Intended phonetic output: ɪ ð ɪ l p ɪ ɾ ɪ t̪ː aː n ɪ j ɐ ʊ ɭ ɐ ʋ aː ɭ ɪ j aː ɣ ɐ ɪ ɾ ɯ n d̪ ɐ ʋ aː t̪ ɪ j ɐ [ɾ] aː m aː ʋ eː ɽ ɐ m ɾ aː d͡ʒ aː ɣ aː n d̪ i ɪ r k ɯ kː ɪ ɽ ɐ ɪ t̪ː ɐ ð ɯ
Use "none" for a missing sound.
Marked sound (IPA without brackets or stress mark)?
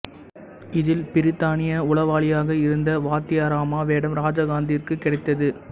ɾ